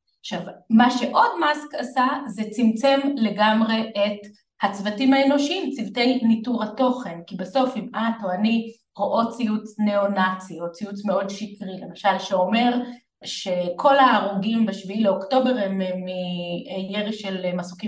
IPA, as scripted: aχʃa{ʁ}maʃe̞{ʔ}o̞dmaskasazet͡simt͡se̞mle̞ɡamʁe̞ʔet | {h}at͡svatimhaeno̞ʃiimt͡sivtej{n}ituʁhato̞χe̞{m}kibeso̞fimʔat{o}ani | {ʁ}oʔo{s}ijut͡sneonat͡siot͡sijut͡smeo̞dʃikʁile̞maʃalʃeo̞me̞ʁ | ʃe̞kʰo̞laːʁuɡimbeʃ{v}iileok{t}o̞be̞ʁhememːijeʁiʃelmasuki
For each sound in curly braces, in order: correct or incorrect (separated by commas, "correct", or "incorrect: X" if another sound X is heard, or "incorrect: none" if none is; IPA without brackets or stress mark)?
incorrect: v, correct, correct, correct, incorrect: n, correct, correct, incorrect: t͡s, correct, correct